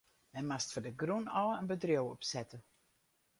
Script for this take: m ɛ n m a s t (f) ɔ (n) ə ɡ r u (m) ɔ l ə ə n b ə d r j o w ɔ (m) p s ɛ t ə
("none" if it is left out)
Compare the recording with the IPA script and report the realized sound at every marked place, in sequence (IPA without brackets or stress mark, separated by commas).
f, d, n, none